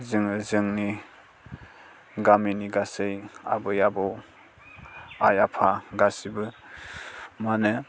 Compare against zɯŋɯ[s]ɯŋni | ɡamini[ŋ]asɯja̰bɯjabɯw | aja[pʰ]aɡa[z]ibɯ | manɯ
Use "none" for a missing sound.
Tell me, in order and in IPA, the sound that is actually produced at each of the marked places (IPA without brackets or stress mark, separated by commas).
z, ɡ, pʰ, s